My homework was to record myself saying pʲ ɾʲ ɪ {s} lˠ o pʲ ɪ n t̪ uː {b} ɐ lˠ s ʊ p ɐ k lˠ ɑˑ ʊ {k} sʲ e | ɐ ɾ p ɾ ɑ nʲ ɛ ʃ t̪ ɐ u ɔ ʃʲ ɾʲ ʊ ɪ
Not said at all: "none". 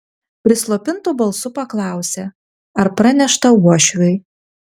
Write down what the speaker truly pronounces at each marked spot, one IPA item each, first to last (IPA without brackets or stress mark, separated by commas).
s, b, none